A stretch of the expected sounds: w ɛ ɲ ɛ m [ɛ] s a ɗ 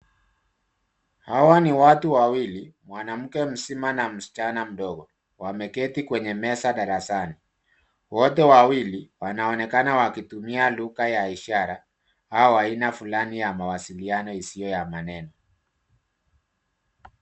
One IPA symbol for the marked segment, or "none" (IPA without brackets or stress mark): ɛ